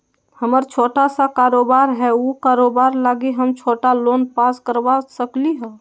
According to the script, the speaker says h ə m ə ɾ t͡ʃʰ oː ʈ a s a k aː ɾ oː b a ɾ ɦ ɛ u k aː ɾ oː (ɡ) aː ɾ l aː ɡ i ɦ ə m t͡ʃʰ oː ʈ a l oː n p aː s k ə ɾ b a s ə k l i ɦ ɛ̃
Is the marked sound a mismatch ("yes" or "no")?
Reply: yes